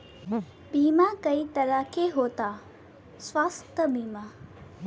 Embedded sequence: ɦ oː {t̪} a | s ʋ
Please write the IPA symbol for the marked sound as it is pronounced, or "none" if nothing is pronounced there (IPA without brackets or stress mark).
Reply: t̪